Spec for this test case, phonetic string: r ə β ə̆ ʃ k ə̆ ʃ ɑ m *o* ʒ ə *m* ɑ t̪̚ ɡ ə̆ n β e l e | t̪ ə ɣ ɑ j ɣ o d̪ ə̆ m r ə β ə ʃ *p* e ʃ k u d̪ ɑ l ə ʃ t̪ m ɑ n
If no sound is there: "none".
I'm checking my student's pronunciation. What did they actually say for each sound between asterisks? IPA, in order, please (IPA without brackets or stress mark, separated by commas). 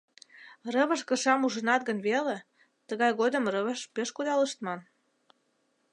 u, n, p